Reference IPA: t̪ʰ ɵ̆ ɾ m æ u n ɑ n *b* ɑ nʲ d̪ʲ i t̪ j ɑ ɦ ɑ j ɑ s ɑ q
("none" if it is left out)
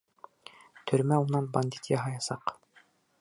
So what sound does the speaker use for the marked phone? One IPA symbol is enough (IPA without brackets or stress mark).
b